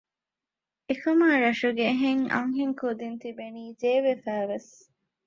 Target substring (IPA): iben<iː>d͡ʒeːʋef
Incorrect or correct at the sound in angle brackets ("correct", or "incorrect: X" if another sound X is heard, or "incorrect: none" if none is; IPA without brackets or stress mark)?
correct